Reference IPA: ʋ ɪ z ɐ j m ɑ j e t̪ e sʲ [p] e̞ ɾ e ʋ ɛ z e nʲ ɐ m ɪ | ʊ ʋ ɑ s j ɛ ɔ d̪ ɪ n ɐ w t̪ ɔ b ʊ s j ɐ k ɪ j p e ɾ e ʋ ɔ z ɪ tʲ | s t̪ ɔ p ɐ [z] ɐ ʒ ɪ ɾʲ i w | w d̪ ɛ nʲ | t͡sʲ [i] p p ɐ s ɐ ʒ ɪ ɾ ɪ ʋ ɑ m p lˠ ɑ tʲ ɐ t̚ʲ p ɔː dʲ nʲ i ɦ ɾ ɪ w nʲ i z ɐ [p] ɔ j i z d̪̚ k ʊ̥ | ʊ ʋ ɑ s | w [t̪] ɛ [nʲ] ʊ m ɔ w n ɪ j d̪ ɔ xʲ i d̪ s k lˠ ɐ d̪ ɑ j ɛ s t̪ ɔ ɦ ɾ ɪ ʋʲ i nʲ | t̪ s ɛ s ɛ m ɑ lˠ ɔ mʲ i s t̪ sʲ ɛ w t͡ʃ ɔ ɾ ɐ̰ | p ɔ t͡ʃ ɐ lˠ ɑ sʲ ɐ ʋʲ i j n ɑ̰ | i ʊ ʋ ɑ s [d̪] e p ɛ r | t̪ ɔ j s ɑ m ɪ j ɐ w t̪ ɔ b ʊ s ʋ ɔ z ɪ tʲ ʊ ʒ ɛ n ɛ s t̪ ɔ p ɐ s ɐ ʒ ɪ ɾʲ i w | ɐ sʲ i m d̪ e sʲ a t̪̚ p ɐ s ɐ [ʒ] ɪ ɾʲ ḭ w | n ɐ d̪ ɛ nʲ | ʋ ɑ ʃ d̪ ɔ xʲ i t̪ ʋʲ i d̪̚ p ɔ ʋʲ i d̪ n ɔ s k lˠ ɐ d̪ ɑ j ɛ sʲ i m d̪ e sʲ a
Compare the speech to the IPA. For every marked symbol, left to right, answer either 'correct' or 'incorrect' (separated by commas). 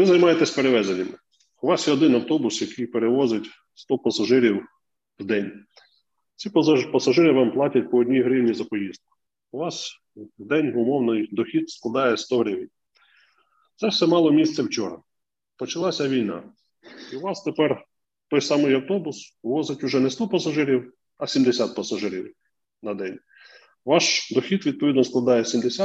correct, incorrect, correct, correct, incorrect, correct, incorrect, correct